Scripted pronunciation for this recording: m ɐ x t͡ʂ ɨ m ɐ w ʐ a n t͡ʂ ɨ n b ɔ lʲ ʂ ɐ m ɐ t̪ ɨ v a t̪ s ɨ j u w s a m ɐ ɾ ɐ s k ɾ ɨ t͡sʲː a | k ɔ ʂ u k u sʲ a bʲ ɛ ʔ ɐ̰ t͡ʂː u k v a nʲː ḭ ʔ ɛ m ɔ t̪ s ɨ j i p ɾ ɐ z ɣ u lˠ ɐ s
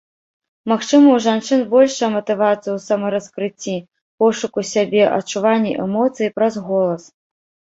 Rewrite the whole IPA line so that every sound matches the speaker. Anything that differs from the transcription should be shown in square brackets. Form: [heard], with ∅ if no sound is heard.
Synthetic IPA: m [a] x t͡ʂ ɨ m ɐ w ʐ a n t͡ʂ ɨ n b ɔ lʲ ʂ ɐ m ɐ t̪ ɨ v a t̪ s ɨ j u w s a m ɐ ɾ ɐ s k ɾ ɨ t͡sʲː [i] | [p] ɔ ʂ u k u sʲ a bʲ ɛ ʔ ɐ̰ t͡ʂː u [∅] v a nʲː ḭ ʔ ɛ m ɔ t̪ s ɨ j i p ɾ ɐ z ɣ [ɔ] lˠ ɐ s